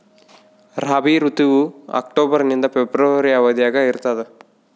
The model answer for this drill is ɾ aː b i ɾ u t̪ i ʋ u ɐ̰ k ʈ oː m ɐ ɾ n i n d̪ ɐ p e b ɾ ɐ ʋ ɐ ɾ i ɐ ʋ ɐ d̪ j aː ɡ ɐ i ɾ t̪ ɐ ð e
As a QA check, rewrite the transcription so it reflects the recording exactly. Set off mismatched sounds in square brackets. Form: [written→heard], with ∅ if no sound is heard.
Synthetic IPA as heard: ɾ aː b i ɾ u t̪ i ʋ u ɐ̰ k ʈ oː [m→b] ɐ ɾ n i n d̪ ɐ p e b ɾ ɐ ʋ ɐ ɾ i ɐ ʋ ɐ d̪ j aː ɡ ɐ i ɾ t̪ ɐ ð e